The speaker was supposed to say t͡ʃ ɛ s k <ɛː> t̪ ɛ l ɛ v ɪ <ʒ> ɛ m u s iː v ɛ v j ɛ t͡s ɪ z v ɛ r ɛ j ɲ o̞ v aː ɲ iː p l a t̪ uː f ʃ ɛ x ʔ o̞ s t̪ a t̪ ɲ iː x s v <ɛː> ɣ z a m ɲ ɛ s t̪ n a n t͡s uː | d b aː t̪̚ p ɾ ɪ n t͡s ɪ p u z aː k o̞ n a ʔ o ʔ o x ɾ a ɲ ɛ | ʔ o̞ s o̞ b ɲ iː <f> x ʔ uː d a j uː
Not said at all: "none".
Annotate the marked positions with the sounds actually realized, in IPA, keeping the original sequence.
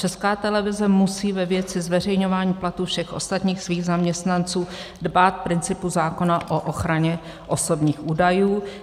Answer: aː, z, iː, none

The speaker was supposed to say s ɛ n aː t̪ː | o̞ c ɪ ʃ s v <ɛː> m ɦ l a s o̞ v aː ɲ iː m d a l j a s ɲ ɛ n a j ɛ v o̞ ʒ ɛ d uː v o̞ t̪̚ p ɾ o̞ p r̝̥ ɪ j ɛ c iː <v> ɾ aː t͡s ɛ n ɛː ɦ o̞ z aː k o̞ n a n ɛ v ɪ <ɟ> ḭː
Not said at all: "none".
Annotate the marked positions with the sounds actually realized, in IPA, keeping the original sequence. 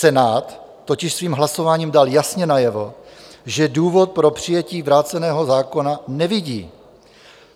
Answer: iː, v, ɟ

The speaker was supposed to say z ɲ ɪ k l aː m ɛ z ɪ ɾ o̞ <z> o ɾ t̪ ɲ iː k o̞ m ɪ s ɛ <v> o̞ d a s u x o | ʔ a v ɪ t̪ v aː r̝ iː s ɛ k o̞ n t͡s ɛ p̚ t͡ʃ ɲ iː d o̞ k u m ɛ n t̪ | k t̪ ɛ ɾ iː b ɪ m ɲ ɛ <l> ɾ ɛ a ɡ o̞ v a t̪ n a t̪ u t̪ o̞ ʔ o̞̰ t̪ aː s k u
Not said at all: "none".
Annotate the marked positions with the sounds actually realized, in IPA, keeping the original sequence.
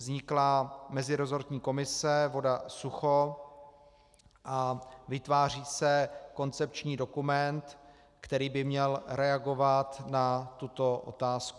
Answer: z, v, l

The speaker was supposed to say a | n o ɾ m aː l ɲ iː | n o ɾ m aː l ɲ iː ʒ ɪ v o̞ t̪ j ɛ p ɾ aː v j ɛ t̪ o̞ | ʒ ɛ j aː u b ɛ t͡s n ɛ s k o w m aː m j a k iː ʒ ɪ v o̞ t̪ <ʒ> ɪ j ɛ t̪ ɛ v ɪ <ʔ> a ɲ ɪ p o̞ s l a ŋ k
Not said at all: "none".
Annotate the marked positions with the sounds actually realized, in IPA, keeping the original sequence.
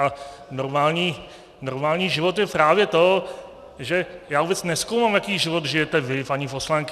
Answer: ʒ, p

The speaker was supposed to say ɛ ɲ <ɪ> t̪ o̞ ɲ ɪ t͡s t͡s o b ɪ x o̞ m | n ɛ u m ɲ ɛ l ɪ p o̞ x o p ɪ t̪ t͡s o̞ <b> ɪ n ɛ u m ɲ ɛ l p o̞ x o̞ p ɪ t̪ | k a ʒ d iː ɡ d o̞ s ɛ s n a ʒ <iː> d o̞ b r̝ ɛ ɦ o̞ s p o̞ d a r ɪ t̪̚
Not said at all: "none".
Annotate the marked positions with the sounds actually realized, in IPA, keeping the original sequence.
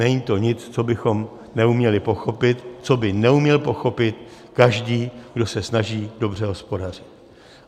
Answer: i, b, iː

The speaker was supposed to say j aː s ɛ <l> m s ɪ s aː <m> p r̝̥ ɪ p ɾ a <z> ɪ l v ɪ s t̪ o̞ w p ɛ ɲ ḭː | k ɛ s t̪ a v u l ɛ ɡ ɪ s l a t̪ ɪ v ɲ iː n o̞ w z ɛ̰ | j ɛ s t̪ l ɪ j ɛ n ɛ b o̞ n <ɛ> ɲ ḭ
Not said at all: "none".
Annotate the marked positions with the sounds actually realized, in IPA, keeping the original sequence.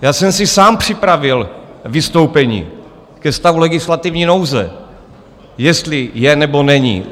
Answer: none, m, v, ɛ

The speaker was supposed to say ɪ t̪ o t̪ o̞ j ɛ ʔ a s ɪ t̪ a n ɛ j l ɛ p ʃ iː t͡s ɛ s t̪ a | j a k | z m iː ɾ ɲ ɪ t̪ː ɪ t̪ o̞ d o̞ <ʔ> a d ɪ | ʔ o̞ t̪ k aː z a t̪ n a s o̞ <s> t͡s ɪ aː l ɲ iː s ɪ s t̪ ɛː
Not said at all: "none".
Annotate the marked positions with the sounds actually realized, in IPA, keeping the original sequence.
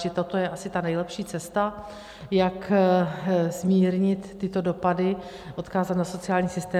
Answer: p, none

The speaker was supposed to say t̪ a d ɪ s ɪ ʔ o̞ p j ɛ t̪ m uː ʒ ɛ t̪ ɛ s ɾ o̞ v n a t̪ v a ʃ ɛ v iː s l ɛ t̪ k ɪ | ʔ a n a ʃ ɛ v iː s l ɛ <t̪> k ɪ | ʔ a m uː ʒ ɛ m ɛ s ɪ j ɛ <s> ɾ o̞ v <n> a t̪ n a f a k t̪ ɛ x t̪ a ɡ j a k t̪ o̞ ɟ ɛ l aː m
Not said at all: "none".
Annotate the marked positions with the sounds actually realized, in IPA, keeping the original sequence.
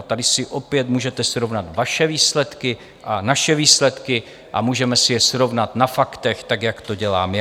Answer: t̪, s, n

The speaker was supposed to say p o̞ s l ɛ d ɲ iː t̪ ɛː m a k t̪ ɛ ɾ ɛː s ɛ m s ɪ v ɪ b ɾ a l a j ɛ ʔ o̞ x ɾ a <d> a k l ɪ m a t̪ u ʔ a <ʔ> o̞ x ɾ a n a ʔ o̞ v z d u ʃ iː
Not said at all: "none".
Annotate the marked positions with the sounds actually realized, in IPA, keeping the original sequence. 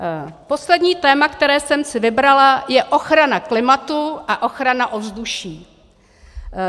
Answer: n, ʔ

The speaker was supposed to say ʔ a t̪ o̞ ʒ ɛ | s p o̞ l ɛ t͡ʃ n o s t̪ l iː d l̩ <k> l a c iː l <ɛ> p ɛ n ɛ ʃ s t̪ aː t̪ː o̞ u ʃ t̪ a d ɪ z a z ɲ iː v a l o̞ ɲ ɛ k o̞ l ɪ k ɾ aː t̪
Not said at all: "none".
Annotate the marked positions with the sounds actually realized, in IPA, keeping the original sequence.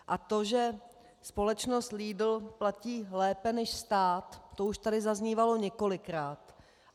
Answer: p, ɛː

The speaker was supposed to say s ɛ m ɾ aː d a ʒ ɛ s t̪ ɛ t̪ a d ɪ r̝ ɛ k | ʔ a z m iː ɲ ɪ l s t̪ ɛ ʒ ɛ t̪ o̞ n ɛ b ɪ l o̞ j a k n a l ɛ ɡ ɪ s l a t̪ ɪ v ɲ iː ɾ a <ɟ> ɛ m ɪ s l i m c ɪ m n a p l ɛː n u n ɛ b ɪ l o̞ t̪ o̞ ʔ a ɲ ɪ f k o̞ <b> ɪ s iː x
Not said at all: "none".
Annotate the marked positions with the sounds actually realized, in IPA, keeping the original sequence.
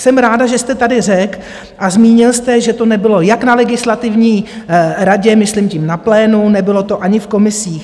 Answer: ɟ, m

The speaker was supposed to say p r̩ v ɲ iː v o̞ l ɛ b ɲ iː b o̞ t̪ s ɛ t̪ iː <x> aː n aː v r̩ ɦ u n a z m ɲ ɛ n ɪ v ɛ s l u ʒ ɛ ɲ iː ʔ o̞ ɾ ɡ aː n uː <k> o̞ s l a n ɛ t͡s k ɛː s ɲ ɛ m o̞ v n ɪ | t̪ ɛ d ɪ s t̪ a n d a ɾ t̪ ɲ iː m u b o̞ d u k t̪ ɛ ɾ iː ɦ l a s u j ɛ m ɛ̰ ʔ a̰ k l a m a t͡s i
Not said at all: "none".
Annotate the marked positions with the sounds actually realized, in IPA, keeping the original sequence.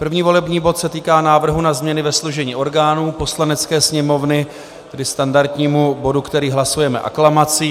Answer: k, p

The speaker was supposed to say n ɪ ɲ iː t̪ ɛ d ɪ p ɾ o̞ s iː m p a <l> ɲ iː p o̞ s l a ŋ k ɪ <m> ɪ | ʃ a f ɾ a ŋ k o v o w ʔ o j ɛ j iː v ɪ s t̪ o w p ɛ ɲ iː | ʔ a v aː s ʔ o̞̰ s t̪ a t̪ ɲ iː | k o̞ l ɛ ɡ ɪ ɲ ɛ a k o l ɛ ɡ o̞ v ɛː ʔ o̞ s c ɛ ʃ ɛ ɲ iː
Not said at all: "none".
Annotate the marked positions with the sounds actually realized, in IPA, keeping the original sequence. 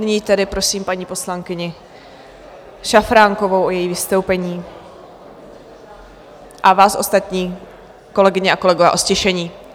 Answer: none, ɲ

